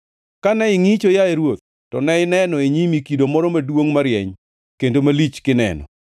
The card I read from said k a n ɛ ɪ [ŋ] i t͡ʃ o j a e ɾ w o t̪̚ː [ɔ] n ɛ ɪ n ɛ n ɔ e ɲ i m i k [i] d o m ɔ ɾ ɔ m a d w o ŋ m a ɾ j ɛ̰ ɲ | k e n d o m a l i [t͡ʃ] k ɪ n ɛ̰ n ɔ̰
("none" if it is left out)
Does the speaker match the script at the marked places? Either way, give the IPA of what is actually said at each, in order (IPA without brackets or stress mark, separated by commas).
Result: ŋ, ɔ, i, t͡ʃ